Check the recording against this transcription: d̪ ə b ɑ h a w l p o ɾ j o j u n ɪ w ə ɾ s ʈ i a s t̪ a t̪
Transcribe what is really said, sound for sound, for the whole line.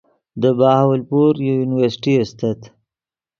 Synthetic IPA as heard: d̪ ə b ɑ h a w l p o ɾ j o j u n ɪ w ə ɾ s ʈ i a s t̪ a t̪